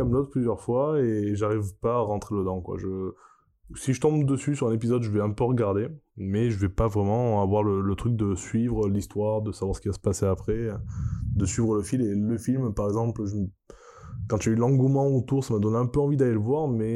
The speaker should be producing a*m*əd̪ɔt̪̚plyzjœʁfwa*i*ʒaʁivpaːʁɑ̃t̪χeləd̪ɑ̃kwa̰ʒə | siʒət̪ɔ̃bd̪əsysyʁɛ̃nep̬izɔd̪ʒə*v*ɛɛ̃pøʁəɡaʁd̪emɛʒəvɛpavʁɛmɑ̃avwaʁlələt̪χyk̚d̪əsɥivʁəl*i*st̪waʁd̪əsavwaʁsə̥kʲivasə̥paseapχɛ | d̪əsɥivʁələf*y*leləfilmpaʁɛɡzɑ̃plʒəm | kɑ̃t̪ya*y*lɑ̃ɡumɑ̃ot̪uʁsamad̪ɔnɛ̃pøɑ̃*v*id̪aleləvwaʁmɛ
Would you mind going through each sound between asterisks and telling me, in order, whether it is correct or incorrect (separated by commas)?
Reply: correct, incorrect, correct, correct, incorrect, correct, correct